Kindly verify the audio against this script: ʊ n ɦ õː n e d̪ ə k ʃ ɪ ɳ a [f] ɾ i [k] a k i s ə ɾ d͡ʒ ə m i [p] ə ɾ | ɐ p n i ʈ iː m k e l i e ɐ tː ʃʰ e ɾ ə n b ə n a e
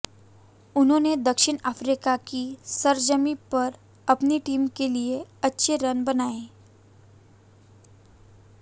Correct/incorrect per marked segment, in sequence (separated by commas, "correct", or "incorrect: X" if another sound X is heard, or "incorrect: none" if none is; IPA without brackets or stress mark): correct, correct, correct